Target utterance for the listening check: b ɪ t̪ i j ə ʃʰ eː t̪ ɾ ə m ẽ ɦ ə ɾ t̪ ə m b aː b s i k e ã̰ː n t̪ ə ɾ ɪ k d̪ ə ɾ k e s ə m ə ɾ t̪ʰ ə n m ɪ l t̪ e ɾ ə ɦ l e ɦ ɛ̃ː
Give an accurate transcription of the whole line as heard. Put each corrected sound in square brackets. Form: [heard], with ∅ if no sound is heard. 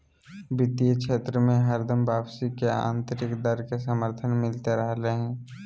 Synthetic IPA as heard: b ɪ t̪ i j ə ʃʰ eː t̪ ɾ ə m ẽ ɦ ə ɾ [d̪] ə m b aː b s i k e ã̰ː n t̪ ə ɾ ɪ k d̪ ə ɾ k e s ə m ə ɾ t̪ʰ ə n m ɪ l t̪ e ɾ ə ɦ l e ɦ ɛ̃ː